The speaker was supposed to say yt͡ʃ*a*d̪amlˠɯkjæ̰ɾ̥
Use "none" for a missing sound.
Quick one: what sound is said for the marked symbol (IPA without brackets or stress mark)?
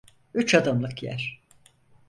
a